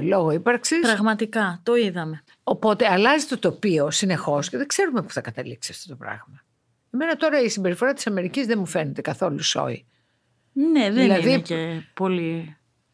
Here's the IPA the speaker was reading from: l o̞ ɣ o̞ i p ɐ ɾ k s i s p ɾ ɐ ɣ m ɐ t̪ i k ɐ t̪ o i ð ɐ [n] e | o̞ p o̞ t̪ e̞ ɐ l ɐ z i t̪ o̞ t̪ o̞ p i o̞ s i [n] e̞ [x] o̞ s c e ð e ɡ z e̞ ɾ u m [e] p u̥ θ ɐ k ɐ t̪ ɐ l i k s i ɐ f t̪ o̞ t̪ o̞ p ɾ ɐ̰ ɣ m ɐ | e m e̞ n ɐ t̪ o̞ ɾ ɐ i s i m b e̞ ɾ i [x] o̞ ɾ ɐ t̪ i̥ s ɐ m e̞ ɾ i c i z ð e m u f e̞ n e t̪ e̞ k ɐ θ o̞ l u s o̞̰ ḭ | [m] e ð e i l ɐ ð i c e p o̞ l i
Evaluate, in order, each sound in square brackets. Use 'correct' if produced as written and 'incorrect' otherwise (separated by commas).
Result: incorrect, correct, correct, correct, incorrect, incorrect